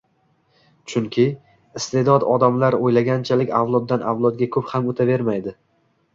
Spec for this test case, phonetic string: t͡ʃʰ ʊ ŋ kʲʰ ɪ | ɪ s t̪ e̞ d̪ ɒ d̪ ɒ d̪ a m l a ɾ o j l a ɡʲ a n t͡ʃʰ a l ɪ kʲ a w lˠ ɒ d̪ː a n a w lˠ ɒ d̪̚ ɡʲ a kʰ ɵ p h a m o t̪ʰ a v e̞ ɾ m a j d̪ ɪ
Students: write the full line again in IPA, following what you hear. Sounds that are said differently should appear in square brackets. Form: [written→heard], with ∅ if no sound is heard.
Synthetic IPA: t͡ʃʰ ʊ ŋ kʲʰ ɪ | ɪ s t̪ e̞ d̪ ɒ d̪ ɒ d̪ a m l a ɾ o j l a ɡʲ a n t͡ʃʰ a l ɪ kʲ a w lˠ ɒ d̪ː a n a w lˠ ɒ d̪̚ ɡʲ a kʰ ɵ p h a m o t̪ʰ a v e̞ ɾ m a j d̪ ɪ